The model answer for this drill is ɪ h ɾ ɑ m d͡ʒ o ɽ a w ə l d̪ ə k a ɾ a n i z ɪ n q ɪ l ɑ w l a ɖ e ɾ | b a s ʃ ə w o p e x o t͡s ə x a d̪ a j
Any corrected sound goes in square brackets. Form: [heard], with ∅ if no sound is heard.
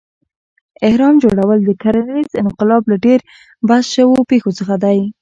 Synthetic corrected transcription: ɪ h ɾ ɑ m d͡ʒ o ɽ a w ə l d̪ ə k a ɾ a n i z ɪ n q ɪ l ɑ [b] l a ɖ e ɾ | b a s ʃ ə w o p e x o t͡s ə x a d̪ a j